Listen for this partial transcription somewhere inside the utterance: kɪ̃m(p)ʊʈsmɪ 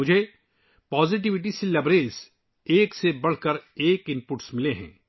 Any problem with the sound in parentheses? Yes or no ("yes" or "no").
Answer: no